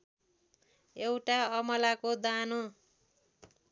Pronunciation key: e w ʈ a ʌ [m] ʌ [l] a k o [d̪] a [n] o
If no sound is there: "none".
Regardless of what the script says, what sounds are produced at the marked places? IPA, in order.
m, l, d̪, n

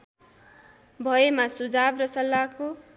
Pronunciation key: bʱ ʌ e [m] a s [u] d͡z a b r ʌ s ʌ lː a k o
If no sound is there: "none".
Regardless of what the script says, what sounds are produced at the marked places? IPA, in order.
m, u

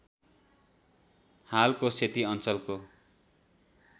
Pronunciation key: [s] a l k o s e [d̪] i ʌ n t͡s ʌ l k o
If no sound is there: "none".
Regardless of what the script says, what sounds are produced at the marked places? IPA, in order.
h, t̪

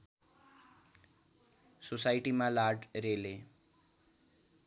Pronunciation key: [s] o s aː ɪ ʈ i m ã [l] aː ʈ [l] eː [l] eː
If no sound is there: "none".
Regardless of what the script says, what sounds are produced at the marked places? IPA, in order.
s, l, ɾ, l

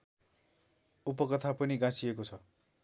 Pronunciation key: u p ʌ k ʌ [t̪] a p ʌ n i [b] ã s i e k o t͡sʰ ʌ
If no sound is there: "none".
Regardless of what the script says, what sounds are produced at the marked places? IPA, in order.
t̪ʰ, ɡ

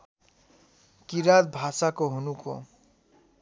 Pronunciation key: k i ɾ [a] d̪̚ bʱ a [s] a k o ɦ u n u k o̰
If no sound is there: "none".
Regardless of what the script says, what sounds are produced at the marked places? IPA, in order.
a, s

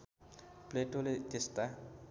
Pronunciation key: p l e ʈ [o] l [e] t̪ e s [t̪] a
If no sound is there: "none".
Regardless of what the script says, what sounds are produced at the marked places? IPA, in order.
o, e, t̪

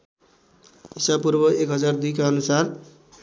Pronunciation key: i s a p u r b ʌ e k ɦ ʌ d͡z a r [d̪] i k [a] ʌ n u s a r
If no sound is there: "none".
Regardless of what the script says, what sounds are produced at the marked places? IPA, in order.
d̪, a

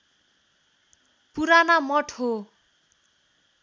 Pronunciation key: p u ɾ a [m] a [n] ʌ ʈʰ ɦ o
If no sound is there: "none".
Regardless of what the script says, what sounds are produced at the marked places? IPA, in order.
n, m

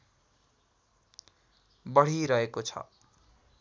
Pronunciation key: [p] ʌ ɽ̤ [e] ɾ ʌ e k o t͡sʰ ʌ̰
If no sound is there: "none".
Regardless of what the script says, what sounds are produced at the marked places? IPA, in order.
b, i

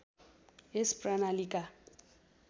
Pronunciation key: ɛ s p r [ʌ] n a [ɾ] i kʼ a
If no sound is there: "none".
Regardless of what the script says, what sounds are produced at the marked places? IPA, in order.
a, l

